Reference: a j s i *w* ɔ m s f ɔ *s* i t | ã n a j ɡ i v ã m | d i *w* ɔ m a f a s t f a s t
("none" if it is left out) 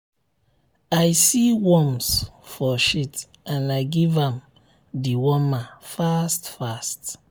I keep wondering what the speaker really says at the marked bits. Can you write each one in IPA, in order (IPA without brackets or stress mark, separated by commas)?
w, ʃ, w